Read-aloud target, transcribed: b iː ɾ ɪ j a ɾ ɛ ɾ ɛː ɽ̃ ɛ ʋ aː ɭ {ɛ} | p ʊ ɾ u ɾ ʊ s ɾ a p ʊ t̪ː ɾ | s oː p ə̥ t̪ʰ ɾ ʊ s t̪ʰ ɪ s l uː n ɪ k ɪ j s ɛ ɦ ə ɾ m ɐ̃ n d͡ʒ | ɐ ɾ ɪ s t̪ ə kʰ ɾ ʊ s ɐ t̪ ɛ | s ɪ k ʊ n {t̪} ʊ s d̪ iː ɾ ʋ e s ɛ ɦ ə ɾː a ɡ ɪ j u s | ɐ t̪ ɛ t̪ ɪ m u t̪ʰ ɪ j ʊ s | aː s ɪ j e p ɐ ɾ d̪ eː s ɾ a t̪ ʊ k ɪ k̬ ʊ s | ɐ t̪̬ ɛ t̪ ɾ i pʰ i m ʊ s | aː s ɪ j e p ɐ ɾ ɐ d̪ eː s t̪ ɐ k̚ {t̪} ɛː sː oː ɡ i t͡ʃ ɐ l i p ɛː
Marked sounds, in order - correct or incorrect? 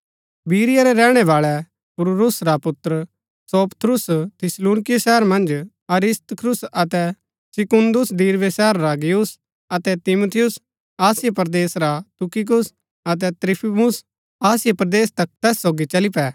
correct, incorrect, correct

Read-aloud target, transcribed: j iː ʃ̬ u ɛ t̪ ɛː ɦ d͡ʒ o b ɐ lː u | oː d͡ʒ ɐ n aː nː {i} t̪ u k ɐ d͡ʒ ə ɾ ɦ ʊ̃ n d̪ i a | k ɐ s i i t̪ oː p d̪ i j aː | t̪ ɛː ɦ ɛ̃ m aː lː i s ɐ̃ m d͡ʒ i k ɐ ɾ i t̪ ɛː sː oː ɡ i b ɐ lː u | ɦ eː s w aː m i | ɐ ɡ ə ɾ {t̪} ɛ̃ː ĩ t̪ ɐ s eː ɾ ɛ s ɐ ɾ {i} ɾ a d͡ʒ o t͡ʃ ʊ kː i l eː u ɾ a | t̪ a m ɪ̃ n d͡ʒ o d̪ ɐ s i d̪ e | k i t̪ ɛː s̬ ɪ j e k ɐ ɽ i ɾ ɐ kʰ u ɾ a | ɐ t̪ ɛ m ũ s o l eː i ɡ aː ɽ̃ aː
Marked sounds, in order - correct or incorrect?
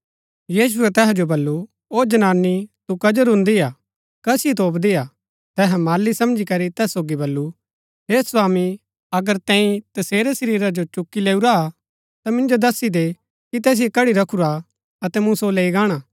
correct, correct, incorrect

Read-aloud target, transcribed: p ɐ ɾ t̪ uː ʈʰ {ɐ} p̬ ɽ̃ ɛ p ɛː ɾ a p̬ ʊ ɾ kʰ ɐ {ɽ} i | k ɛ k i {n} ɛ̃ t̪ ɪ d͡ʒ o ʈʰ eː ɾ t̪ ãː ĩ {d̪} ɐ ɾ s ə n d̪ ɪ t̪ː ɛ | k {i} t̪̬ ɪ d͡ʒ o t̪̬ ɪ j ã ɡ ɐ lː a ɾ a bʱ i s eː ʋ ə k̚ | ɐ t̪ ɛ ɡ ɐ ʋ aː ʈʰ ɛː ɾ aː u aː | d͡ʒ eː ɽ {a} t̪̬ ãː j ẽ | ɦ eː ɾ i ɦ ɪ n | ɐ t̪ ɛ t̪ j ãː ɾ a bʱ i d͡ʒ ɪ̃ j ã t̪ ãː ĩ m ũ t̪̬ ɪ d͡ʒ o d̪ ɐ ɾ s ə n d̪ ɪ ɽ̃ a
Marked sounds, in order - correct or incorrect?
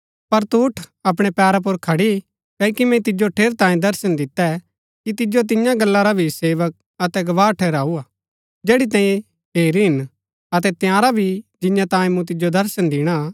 correct, correct, incorrect, correct, correct, incorrect

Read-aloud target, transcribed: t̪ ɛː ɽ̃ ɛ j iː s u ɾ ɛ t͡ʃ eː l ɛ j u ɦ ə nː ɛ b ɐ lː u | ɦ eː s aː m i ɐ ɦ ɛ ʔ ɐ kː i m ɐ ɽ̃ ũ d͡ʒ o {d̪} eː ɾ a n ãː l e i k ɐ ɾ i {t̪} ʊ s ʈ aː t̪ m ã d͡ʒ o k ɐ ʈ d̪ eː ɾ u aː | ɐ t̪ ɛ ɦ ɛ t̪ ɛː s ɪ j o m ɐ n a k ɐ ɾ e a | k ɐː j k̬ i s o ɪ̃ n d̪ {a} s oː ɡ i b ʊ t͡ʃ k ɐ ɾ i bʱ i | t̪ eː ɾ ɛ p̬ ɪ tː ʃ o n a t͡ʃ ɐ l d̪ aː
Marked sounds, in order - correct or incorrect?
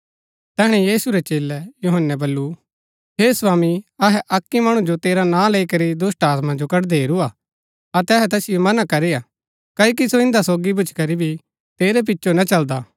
incorrect, incorrect, correct

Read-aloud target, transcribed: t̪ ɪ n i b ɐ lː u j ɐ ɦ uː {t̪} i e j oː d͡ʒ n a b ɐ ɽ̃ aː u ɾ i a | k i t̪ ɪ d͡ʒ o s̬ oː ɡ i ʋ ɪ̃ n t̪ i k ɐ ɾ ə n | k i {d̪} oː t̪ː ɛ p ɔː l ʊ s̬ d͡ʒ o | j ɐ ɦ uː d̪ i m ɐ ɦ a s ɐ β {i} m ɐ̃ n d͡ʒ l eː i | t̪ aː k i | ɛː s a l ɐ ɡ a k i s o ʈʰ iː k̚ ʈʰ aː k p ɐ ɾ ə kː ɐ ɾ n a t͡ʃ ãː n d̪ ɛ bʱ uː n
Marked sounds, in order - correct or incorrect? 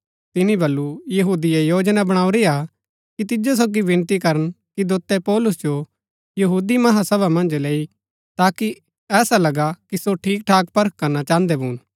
incorrect, correct, incorrect

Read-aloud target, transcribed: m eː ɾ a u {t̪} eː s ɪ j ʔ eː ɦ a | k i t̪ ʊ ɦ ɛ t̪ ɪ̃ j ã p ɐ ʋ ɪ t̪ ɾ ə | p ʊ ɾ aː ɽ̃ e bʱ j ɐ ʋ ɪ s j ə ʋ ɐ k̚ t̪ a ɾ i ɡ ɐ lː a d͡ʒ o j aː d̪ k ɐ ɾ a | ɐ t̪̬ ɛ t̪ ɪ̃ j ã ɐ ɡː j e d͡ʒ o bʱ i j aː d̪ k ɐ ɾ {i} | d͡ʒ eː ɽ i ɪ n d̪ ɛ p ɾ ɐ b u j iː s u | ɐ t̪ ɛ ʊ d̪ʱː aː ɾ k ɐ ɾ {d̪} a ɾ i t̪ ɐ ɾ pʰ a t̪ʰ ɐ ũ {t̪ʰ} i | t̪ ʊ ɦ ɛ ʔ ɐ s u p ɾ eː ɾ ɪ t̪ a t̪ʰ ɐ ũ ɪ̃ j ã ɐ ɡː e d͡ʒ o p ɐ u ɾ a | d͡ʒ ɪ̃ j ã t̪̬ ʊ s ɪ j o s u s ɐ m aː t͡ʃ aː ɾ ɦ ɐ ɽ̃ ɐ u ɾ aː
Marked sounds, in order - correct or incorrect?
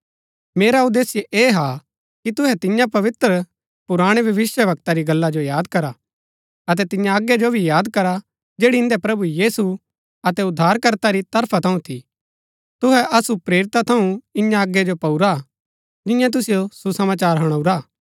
incorrect, incorrect, incorrect, correct

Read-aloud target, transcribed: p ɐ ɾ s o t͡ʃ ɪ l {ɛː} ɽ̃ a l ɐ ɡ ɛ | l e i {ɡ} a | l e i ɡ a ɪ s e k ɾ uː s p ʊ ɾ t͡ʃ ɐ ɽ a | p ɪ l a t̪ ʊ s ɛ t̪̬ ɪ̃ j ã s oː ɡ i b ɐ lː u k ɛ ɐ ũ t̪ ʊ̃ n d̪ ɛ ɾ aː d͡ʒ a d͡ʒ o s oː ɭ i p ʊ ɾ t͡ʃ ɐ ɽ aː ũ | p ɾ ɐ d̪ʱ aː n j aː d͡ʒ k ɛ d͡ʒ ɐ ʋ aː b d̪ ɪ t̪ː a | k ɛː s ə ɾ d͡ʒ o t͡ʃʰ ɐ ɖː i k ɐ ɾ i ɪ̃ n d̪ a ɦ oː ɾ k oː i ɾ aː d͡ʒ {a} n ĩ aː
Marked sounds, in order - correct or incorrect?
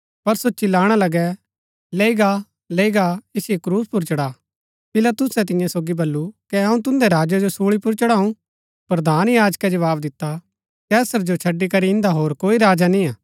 incorrect, correct, correct

